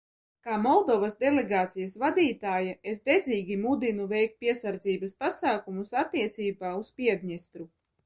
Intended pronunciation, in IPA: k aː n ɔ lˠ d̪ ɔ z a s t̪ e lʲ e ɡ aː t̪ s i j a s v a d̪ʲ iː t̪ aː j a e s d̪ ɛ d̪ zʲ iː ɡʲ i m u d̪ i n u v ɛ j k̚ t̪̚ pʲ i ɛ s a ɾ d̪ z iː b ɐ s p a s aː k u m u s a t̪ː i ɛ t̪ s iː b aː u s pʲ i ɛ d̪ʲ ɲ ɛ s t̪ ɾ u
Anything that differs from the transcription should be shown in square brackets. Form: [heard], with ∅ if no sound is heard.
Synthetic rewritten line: k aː [m] ɔ lˠ d̪ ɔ [v] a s [d̪] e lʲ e ɡ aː t̪ s i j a s v a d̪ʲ iː t̪ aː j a e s d̪ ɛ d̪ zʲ iː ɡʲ i m u d̪ i n u v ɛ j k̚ t̪̚ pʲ i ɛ s a ɾ d̪ z iː b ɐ s p a s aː k u m u s a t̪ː i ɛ t̪ s iː b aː u s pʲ i ɛ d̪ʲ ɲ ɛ s t̪ ɾ u